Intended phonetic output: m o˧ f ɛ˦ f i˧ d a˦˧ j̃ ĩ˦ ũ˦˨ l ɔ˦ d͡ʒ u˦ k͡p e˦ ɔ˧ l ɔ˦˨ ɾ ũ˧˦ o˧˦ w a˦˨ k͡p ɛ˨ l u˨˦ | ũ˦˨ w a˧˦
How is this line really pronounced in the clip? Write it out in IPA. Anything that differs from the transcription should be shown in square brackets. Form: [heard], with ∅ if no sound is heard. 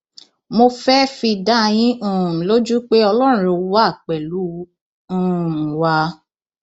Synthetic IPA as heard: m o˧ f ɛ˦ f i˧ d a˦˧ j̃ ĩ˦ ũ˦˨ l [o˦] d͡ʒ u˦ k͡p e˦ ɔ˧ l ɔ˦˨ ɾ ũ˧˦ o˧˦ w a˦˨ k͡p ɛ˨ l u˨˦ | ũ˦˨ w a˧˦